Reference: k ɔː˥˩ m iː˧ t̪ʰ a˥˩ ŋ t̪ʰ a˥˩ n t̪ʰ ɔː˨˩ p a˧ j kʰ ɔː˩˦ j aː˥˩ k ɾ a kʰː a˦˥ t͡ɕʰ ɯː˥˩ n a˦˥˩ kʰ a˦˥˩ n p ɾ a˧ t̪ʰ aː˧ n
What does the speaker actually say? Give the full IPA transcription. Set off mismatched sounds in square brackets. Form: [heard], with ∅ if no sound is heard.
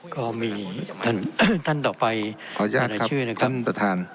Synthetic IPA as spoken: k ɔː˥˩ m iː˧ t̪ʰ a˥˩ [n] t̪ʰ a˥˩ n [t̪] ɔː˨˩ p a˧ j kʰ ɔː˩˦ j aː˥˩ k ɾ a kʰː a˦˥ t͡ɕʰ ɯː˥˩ n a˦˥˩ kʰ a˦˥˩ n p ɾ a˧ t̪ʰ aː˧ n

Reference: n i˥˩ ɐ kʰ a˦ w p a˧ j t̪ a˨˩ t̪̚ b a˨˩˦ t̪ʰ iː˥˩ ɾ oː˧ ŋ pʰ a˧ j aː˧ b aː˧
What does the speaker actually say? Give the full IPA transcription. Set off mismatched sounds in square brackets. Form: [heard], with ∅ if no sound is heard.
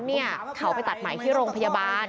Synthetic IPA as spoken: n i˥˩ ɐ kʰ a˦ w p a˧ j t̪ a˨˩ t̪̚ [m] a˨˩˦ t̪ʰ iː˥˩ ɾ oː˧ ŋ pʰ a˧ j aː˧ b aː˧

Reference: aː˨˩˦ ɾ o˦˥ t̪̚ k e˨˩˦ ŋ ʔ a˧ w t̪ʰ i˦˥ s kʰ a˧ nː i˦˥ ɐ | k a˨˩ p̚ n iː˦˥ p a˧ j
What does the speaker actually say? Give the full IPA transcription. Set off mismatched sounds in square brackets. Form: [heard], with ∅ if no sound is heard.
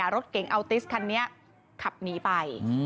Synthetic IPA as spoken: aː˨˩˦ ɾ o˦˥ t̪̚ k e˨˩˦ ŋ ʔ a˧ w [t̪] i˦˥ s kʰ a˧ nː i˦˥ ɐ | [kʰ] a˨˩ p̚ n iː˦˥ p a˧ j

